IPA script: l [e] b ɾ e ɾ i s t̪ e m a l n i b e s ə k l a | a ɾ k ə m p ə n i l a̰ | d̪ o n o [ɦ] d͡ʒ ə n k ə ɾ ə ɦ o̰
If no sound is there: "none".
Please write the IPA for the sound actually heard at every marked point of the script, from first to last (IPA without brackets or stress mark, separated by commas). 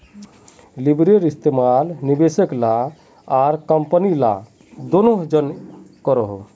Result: i, ɦ